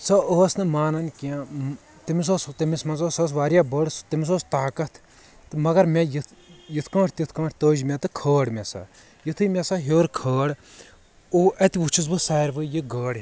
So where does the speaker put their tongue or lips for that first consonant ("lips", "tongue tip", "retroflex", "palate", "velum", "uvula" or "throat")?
tongue tip